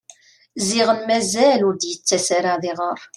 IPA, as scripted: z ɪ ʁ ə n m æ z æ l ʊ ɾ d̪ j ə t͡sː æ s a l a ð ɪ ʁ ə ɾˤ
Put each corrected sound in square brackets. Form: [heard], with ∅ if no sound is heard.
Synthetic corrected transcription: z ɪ ʁ ə n m æ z æ l ʊ ɾ d̪ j ə t͡sː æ s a [ɾ] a ð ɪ ʁ ə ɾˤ